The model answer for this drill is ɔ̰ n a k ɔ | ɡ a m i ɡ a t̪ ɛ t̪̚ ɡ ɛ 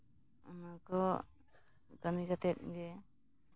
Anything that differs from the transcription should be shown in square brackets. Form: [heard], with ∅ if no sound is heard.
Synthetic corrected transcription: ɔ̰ n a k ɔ | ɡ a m i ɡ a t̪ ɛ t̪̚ ɡ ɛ

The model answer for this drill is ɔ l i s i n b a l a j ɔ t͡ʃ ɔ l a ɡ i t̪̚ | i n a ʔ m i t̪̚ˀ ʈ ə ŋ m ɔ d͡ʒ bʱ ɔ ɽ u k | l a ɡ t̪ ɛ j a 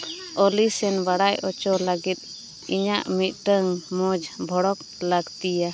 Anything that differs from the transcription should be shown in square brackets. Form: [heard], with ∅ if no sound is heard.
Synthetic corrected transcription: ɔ l i s [ɛ] n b a [ɽ] a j ɔ t͡ʃ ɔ l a ɡ i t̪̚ | i [ɲ] a ʔ m i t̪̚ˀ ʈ ə ŋ m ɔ d͡ʒ bʱ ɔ ɽ [ɔ] k | l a ɡ t̪ [i] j a

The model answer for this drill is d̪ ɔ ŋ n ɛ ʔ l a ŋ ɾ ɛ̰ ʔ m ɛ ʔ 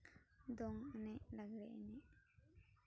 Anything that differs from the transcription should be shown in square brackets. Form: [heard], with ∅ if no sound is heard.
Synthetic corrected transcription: d̪ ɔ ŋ n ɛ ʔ l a [ɡ] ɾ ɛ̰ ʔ [n] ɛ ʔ

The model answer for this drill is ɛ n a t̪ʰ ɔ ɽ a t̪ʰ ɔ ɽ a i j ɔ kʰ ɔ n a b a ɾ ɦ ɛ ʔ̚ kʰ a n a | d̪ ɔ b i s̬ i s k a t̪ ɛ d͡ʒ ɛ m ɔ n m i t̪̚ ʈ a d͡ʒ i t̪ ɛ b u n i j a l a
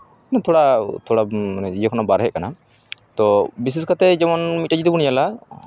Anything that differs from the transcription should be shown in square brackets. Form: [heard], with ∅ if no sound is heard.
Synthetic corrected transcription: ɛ n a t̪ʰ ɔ ɽ a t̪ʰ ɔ ɽ a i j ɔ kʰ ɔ n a b a ɾ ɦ ɛ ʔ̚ [k] a n a | [t̪] ɔ b i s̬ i s k a t̪ ɛ d͡ʒ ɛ m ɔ n m i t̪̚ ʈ a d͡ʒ i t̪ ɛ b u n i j a l a

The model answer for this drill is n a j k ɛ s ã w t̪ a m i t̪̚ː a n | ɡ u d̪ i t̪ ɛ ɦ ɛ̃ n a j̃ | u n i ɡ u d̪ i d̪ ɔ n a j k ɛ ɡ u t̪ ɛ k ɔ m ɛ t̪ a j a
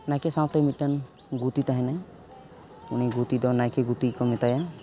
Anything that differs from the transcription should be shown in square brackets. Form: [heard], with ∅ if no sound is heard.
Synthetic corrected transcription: n a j k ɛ s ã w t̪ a m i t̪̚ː a n | ɡ u [t̪] i t̪ [a] ɦ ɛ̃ n a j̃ | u n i ɡ u [t̪] i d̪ ɔ n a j k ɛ ɡ u t̪ [i] k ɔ m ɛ t̪ a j a

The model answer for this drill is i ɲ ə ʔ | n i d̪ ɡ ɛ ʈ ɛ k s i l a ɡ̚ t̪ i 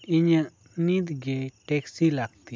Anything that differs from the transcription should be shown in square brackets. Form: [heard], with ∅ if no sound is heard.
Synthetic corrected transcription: i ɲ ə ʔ | n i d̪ ɡ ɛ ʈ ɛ k s i l a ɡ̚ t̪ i

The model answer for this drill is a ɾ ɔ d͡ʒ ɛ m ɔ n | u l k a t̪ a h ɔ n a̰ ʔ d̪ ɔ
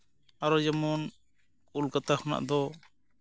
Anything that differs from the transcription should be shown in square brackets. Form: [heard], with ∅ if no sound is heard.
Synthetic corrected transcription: a ɾ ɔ d͡ʒ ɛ m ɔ n | u l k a t̪ a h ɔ n a̰ ʔ d̪ ɔ

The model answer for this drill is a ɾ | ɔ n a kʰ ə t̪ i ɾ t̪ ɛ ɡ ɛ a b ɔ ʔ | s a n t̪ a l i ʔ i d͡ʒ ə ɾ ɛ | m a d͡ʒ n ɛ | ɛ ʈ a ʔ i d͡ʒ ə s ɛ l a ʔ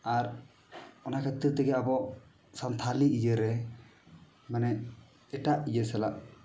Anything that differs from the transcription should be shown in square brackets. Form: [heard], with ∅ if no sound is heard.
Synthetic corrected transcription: a ɾ | ɔ n a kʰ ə t̪ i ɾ t̪ ɛ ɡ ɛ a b ɔ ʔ | s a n [t̪ʰ] a l i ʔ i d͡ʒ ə ɾ ɛ | m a [∅] n ɛ | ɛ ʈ a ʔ i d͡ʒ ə s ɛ l a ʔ

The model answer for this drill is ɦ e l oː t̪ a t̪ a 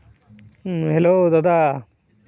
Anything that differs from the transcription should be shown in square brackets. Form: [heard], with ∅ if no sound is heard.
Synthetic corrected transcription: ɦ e l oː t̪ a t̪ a

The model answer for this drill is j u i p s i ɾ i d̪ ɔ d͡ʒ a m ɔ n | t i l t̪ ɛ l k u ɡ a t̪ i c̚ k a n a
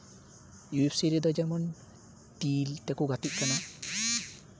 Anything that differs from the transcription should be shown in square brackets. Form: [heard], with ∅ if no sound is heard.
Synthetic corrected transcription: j u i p s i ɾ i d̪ ɔ d͡ʒ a m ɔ n | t i l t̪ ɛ [∅] k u ɡ a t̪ i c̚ k a n a

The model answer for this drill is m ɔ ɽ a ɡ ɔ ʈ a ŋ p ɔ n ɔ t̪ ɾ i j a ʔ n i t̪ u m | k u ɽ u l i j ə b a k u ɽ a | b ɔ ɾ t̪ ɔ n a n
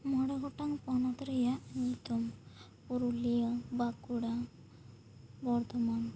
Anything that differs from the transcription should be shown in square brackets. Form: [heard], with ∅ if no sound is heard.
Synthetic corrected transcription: m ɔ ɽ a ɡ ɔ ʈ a ŋ p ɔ n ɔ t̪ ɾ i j a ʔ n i t̪ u m | [p] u [ɾ] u l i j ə b a k u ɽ a | b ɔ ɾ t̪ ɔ [m] a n

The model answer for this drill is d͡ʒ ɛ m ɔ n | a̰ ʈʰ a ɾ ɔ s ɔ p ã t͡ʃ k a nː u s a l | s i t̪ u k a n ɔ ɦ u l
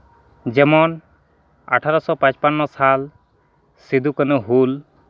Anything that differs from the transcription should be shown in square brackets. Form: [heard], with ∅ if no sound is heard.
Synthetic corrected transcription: d͡ʒ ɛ m ɔ n | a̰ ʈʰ a ɾ ɔ s ɔ p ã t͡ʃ [p] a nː [ɔ] s a l | s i [d̪] u k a n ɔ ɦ u l

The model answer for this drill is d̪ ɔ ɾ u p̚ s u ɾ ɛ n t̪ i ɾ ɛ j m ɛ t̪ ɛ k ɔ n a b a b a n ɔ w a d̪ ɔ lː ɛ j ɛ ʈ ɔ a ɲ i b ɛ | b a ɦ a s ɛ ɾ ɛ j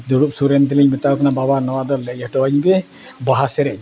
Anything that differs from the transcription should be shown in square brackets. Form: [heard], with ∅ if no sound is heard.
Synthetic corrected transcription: d̪ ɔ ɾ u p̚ s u ɾ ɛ n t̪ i [l] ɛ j m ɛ t̪ [a] k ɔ n a b a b a n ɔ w a d̪ ɔ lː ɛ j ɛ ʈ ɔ a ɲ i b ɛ | b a ɦ a s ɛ ɾ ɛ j

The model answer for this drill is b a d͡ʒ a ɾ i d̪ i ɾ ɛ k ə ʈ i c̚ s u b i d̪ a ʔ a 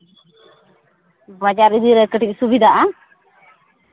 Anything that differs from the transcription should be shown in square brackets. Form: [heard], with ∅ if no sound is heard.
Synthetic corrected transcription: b a d͡ʒ a ɾ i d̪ i ɾ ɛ k ə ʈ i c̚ s u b i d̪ a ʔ a

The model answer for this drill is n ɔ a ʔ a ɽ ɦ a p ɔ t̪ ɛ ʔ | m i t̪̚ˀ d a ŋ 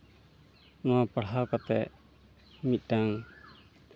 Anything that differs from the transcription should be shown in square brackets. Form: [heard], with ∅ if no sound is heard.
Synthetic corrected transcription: n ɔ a [p] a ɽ ɦ a [k] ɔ t̪ ɛ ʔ | m i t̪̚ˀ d a ŋ

